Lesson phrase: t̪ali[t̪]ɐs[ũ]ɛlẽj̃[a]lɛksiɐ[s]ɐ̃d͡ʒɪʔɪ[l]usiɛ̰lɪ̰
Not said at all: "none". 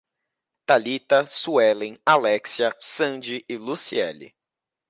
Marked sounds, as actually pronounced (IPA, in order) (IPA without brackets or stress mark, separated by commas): t̪, u, a, s, l